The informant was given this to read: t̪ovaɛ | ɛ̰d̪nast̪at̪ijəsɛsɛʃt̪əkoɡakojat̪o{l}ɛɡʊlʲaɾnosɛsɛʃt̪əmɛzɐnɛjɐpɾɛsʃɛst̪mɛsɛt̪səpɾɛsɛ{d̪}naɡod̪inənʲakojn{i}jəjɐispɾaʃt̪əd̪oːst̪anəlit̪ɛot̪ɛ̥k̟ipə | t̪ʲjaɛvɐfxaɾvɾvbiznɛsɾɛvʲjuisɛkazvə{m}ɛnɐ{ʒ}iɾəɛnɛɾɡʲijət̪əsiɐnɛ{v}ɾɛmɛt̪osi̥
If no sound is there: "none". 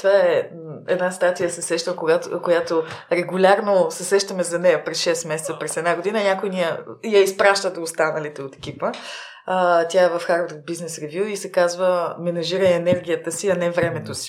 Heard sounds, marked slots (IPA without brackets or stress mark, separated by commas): ɾ, d̪, i, m, ʒ, v